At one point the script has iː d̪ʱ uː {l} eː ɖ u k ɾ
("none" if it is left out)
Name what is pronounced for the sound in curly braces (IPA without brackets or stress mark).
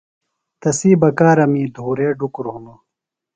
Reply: ɾ